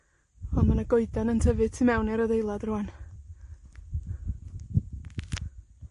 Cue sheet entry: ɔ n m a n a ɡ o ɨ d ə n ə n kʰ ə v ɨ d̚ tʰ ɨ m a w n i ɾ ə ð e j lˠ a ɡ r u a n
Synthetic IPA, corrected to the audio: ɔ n m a n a ɡ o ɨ d a n ə n tʰ ə v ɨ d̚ tʰ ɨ m ɛ w n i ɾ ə ð e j lˠ a d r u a n